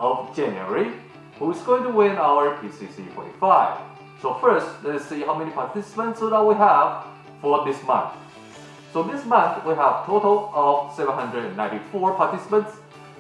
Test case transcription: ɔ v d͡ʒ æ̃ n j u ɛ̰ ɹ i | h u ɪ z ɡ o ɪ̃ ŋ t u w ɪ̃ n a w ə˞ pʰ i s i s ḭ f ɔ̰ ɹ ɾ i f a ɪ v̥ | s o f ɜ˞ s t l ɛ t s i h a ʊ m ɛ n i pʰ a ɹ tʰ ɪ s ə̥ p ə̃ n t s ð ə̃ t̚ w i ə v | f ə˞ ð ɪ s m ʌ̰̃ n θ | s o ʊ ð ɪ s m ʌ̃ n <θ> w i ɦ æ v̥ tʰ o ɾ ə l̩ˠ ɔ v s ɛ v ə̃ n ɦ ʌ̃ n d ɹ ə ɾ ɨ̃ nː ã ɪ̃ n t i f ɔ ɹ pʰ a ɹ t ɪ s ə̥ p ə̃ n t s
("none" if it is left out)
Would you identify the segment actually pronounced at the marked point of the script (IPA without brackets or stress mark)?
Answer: θ